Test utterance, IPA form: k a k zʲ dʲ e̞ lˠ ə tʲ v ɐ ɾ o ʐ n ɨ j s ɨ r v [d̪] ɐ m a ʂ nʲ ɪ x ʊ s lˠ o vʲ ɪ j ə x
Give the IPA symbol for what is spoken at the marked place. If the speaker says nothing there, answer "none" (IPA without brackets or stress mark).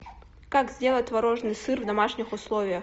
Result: d̪